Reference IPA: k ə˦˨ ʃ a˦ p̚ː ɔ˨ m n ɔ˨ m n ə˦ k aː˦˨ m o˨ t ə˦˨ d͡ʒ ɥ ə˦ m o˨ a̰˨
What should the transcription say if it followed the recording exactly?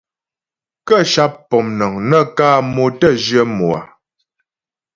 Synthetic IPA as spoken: k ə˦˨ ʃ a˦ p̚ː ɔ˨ m n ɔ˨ ŋ n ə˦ k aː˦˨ m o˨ t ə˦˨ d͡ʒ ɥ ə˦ m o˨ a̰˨